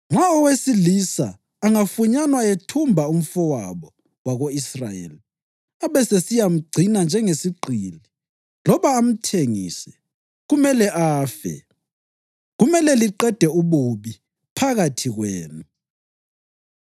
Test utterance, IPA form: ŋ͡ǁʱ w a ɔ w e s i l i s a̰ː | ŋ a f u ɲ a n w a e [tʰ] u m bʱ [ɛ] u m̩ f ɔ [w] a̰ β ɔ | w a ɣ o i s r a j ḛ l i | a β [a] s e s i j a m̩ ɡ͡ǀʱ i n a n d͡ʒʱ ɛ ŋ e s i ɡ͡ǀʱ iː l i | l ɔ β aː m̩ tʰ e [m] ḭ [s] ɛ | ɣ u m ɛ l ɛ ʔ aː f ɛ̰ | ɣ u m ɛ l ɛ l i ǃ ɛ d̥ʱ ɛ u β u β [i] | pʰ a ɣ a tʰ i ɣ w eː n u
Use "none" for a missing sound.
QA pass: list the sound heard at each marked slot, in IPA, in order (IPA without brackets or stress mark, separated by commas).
tʰ, a, w, ɛ, ŋ, s, i